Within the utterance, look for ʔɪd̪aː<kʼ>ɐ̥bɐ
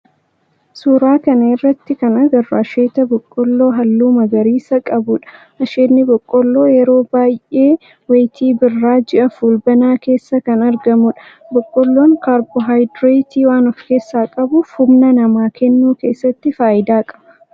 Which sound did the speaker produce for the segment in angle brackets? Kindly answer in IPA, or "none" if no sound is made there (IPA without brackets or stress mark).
kʼ